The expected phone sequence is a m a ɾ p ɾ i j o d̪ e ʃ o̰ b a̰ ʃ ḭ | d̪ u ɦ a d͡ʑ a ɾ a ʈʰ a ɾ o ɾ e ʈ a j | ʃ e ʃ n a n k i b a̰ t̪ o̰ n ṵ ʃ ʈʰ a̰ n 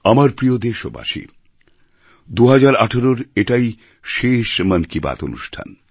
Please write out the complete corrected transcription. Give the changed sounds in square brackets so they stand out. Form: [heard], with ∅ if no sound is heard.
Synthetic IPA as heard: a m a ɾ p ɾ i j o d̪ e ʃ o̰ b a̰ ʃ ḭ | d̪ u ɦ a d͡ʑ a ɾ a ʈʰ a ɾ o ɾ e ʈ a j | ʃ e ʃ [m] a n k i b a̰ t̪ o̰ n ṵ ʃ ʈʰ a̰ n